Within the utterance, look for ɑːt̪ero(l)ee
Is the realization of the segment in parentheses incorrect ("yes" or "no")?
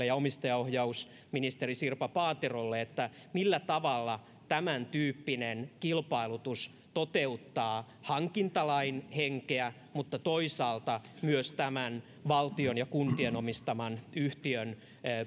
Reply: yes